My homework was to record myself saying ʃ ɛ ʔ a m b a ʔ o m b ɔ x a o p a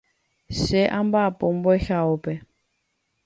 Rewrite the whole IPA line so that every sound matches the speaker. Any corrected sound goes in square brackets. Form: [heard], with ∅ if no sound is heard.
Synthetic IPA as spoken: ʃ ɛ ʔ a m b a [p] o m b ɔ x a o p [ɛ]